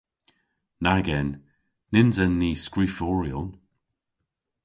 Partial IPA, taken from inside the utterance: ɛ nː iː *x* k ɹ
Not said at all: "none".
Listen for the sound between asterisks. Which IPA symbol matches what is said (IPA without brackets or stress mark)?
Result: s